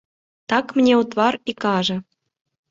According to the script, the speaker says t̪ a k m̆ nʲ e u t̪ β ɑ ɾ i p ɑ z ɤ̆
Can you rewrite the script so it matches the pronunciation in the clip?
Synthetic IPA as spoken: t̪ ɑ k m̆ nʲ e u t̪ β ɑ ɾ i k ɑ ʒ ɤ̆

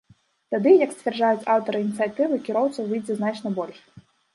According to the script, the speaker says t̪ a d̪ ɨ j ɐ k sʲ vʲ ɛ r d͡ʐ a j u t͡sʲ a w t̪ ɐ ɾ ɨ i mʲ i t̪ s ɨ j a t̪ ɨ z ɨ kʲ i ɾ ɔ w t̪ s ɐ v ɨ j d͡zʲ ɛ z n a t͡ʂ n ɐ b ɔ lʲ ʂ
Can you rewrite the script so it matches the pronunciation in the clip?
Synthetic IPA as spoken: t̪ a d̪ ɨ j ɐ k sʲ vʲ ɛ r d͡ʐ a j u t͡sʲ a w t̪ ɐ ɾ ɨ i nʲ i t̪ s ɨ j a t̪ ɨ v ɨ kʲ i ɾ ɔ w t̪ s ɐ v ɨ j d͡zʲ ɛ z n a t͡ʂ n ɐ b ɔ lʲ ʂ

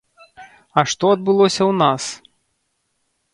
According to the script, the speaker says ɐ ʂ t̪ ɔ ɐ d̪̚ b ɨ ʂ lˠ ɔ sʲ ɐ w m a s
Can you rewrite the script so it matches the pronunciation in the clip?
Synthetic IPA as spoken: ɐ ʂ t̪ ɔ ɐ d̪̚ b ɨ lˠ ɔ sʲ ɐ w n a s

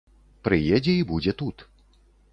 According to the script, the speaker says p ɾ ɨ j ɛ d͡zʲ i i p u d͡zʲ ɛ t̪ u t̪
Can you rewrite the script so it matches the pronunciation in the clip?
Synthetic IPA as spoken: p ɾ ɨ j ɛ d͡zʲ ɛ i b u d͡zʲ ɛ t̪ u t̪

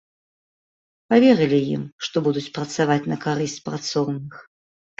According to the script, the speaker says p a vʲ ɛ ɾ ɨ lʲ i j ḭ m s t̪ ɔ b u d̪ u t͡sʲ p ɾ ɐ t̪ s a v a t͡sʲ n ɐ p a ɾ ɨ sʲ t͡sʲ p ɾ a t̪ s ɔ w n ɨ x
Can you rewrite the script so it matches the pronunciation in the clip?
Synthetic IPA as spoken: p a vʲ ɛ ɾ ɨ lʲ i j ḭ m ʂ t̪ ɔ b u d̪ u t͡sʲ p ɾ ɐ t̪ s a v a t͡sʲ n ɐ k a ɾ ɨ sʲ t͡sʲ p ɾ a t̪ s ɔ w n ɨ x

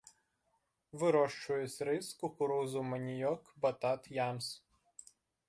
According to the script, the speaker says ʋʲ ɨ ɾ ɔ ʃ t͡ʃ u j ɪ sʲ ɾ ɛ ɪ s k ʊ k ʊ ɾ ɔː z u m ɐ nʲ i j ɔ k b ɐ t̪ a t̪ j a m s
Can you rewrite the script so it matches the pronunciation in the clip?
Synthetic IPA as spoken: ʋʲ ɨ ɾ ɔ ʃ t͡ʃ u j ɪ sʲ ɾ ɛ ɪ s k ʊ k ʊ ɾ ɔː z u m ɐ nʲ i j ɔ k b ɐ t̪ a t̪ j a m s

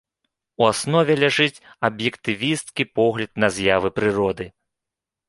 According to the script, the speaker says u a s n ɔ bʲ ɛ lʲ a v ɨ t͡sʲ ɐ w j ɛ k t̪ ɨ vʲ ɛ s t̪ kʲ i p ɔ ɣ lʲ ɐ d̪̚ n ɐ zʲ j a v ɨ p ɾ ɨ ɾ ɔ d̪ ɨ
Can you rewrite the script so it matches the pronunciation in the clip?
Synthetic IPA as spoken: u a s n ɔ vʲ ɛ lʲ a ʐ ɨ t͡sʲ ɐ b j ɛ k t̪ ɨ vʲ i s t̪ kʲ i p ɔ ɣ lʲ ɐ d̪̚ n ɐ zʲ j a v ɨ p ɾ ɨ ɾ ɔ d̪ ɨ

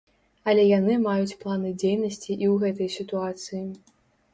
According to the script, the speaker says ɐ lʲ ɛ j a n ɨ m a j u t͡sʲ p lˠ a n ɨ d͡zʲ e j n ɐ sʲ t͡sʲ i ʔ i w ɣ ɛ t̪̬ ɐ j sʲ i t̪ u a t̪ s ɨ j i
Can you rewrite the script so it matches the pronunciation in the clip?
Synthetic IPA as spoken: ɐ lʲ ɛ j a n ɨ m a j u t͡sʲ p lˠ a n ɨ d͡zʲ e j n ɐ sʲ t͡sʲ i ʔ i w ɣ ɛ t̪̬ ɐ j sʲ i t̪ u a t̪ s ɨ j i

